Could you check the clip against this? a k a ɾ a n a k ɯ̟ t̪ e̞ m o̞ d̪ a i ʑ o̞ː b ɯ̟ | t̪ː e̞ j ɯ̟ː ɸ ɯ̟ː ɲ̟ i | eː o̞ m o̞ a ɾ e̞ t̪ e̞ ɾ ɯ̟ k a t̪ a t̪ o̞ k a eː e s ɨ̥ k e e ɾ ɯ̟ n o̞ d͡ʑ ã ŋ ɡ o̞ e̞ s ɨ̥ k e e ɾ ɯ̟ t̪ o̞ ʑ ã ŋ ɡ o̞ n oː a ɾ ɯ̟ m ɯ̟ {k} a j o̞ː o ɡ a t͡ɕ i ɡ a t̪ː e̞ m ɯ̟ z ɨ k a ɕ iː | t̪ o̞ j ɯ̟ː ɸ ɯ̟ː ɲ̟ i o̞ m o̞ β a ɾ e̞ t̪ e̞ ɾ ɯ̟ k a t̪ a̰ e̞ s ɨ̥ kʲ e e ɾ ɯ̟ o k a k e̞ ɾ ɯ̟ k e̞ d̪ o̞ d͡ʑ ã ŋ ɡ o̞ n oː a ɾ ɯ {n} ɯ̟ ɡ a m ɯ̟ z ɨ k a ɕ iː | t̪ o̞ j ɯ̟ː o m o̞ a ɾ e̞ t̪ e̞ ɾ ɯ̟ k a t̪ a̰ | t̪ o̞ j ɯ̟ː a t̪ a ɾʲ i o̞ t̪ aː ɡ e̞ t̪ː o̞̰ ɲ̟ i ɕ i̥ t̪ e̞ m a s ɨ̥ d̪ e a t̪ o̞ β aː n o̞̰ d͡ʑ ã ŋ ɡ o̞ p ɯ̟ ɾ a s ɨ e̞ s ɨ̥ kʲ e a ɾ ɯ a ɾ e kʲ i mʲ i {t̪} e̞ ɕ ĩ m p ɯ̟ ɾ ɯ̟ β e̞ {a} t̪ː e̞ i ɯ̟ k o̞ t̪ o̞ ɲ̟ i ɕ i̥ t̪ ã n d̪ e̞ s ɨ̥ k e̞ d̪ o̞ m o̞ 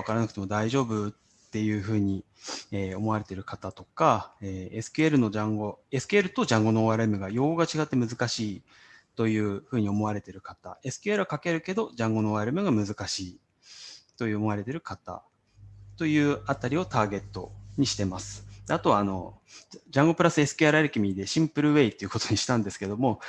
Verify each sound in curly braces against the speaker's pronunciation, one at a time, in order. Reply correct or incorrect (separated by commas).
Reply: incorrect, incorrect, incorrect, incorrect